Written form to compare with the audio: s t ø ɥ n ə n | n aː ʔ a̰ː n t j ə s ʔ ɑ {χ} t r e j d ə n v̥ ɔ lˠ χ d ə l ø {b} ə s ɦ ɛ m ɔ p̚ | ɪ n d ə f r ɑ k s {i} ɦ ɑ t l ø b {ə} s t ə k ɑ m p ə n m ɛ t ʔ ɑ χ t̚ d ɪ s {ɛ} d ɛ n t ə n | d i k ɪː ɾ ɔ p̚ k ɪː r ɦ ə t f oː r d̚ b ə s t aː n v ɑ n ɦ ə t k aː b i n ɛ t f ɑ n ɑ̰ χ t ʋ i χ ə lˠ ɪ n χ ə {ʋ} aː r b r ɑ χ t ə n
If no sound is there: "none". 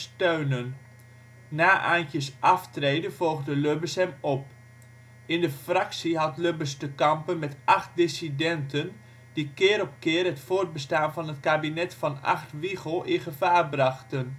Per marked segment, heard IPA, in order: f, b, i, ə, i, v

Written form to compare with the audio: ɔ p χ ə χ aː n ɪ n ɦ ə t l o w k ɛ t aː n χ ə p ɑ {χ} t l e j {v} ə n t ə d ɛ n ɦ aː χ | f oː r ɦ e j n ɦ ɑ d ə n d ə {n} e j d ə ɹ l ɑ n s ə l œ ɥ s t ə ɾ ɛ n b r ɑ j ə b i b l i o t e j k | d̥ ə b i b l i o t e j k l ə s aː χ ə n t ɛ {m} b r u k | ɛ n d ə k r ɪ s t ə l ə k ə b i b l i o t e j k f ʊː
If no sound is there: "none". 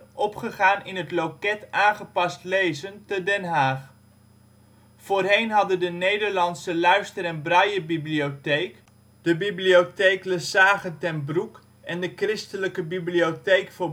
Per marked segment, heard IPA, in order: s, z, n, n

